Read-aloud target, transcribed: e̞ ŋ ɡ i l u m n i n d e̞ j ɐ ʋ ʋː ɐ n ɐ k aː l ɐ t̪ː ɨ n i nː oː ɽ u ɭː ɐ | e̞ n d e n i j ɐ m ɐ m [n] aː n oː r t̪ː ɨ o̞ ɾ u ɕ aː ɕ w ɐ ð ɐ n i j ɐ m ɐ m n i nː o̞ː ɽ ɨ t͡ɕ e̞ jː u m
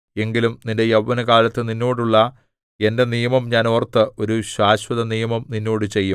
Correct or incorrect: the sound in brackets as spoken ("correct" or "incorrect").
incorrect